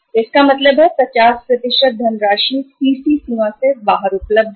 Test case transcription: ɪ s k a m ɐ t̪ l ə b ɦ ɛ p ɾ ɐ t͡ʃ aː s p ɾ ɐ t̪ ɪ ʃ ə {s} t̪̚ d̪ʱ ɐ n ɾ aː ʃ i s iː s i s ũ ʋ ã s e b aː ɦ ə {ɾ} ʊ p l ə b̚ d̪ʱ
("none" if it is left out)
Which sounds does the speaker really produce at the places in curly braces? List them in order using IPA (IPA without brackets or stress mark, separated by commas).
none, ɾ